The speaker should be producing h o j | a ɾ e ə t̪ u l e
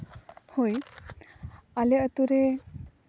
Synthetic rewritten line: h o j | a l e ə t̪ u ɾ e